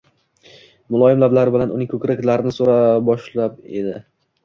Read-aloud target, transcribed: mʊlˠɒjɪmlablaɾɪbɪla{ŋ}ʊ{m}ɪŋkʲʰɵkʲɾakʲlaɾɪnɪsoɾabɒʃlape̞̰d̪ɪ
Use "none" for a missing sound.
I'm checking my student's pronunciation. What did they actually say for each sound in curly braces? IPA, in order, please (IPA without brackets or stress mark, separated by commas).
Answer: n, n